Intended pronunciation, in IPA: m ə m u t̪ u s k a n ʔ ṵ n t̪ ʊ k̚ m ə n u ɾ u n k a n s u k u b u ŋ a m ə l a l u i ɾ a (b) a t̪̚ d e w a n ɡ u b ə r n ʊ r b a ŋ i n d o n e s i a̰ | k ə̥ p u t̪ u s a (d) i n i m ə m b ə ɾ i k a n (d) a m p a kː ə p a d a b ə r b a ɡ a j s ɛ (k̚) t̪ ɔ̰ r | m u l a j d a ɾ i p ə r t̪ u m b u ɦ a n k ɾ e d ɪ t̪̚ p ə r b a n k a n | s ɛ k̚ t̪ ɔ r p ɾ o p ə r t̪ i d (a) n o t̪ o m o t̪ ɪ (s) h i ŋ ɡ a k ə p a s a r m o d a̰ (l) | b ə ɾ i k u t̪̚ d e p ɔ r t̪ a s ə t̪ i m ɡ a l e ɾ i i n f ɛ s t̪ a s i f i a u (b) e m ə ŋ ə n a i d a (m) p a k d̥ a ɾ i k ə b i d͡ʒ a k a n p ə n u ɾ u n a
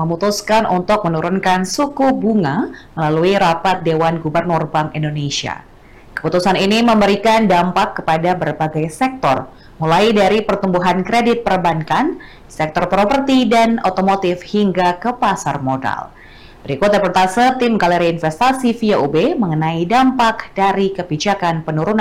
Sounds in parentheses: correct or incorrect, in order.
incorrect: p, incorrect: n, correct, correct, correct, incorrect: f, correct, correct, correct

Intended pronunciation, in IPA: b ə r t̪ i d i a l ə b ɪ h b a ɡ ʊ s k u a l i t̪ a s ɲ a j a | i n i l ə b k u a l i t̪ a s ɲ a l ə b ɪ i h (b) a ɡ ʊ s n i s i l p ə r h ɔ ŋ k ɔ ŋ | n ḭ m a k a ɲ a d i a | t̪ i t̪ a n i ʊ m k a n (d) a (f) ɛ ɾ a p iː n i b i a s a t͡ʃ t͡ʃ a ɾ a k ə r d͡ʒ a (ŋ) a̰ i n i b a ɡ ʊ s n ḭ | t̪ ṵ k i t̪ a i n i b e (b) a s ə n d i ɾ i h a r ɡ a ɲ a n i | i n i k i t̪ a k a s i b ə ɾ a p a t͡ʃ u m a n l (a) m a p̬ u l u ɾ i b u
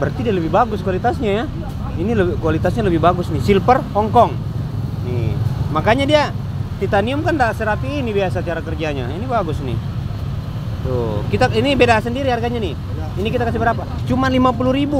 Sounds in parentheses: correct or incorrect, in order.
correct, correct, incorrect: s, incorrect: ɲ, incorrect: d, incorrect: i

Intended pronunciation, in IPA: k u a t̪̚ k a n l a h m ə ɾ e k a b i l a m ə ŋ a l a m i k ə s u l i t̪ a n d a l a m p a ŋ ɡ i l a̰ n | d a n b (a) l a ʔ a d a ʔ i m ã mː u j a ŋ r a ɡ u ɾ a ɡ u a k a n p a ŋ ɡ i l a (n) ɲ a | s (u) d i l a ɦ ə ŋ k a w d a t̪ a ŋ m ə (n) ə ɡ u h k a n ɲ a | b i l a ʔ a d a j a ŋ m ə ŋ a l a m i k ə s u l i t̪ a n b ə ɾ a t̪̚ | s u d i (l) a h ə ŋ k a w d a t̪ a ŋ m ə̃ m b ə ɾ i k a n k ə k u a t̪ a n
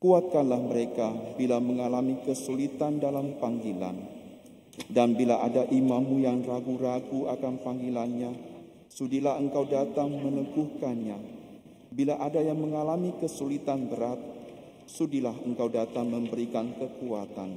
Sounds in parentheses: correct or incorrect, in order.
incorrect: i, correct, correct, correct, correct

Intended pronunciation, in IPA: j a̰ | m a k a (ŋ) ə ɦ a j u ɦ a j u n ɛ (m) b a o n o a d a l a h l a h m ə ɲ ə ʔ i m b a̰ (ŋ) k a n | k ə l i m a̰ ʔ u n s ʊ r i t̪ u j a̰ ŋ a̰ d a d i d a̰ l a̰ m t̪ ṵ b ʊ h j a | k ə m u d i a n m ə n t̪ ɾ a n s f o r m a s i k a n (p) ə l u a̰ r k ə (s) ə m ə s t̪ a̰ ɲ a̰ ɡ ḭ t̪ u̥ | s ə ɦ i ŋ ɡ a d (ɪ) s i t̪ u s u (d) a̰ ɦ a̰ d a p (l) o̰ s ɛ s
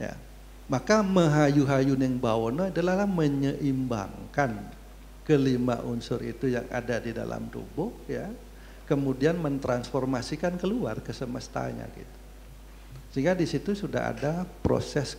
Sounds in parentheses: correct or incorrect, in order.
incorrect: m, incorrect: ŋ, correct, incorrect: k, correct, incorrect: i, correct, incorrect: ɾ

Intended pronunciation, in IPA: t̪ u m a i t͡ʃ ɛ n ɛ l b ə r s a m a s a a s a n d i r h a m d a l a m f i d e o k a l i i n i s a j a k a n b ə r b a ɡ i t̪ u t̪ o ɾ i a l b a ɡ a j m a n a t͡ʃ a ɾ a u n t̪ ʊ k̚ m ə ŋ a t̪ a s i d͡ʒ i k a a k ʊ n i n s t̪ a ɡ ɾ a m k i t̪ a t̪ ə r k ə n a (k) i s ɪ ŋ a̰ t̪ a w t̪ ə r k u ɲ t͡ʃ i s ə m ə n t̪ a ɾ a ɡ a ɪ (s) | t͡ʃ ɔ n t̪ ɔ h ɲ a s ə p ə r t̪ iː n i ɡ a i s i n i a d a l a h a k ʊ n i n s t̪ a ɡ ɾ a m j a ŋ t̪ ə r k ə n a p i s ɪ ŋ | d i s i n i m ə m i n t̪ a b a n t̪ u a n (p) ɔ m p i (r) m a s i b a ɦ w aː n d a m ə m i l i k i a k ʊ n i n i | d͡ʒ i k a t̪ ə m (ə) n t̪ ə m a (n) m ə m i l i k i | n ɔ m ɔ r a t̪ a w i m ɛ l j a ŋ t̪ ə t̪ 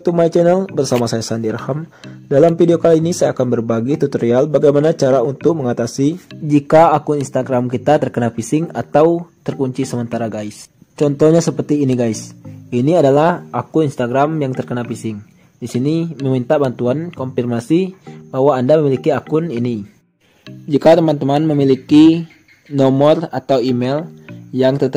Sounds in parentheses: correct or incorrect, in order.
incorrect: p, correct, incorrect: k, correct, incorrect: a, correct

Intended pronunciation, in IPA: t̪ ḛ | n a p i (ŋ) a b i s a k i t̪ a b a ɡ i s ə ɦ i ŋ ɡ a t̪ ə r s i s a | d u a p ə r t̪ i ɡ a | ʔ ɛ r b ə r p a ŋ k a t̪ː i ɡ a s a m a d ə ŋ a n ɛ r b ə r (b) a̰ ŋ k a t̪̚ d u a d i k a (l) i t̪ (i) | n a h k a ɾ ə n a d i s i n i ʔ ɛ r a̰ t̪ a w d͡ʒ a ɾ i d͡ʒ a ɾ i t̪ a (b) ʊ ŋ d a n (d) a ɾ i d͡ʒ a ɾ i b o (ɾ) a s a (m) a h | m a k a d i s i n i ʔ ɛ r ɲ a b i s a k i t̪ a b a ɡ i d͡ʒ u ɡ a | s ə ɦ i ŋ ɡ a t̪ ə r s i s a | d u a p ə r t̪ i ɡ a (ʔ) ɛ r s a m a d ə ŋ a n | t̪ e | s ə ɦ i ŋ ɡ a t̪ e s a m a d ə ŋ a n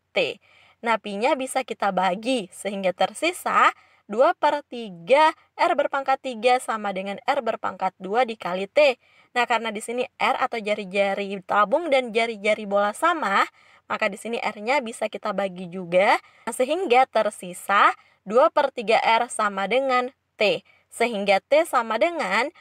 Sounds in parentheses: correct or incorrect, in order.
incorrect: ɲ, incorrect: p, correct, incorrect: e, correct, incorrect: d͡ʒ, incorrect: l, correct, correct

